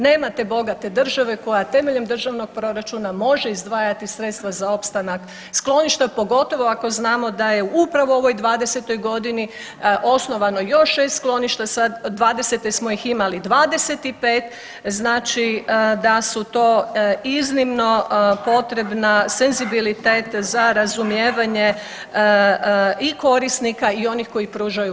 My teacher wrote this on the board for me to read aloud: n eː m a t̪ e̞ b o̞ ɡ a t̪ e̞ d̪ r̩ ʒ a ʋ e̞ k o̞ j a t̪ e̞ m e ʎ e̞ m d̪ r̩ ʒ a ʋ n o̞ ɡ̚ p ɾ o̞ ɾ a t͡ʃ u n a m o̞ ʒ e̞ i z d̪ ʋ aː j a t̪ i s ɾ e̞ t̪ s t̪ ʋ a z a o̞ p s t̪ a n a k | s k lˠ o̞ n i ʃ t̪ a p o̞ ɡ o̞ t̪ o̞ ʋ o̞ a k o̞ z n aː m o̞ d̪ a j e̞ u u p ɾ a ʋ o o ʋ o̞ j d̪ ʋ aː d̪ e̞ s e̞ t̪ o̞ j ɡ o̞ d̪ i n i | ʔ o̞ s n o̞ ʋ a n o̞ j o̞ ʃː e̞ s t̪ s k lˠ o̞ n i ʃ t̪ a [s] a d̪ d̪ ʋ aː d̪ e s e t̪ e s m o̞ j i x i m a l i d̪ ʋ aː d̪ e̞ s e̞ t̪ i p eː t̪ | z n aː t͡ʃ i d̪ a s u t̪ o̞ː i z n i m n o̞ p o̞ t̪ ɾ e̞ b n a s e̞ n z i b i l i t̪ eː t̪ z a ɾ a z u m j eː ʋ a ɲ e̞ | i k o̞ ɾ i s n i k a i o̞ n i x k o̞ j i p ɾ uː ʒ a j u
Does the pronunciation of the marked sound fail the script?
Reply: no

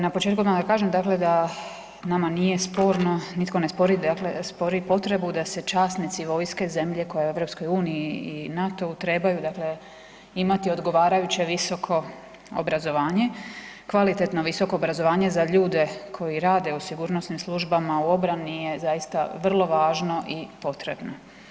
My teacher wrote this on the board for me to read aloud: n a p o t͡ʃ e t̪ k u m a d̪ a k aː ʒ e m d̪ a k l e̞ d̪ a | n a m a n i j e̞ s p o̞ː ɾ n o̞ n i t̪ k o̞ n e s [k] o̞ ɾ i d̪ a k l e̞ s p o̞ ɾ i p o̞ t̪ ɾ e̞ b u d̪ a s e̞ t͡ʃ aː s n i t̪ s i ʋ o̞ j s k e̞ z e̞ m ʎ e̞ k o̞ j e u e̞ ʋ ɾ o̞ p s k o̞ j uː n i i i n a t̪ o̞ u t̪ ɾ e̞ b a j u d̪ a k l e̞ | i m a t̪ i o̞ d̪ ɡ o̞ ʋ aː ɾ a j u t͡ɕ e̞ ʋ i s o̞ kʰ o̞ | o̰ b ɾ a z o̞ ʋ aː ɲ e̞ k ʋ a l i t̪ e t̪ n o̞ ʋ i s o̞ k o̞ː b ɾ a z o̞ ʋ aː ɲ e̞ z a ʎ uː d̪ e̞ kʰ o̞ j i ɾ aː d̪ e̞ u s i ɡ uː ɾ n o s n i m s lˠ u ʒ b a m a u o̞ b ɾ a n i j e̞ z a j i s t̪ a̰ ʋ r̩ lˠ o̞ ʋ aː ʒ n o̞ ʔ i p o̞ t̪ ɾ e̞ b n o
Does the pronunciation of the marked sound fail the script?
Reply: yes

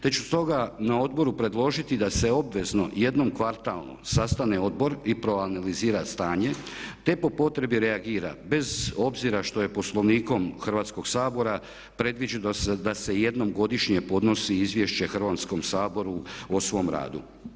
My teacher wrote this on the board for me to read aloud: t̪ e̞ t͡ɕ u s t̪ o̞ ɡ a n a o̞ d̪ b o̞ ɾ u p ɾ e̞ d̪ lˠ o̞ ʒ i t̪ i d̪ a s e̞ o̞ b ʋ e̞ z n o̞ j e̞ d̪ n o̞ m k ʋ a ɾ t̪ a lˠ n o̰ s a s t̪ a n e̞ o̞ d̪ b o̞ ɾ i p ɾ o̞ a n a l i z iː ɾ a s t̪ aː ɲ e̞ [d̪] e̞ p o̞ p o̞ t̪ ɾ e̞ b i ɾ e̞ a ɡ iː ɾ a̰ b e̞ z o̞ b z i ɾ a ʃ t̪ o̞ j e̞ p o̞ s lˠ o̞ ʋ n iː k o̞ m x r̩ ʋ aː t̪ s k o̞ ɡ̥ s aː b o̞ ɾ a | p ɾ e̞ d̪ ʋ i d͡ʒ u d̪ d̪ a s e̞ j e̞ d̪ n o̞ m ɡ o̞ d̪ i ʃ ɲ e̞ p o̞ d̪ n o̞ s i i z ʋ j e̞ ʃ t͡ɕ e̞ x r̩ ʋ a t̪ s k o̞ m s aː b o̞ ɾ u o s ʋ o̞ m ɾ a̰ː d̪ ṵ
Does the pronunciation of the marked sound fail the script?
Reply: yes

